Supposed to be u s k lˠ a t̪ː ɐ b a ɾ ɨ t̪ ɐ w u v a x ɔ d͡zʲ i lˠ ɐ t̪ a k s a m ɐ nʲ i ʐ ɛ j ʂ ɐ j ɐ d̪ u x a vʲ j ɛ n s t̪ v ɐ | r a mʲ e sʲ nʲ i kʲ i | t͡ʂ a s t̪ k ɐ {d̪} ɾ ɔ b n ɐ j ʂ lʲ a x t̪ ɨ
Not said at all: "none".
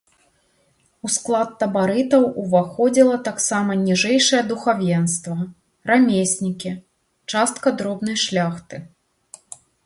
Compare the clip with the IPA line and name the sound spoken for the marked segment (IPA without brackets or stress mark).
d̪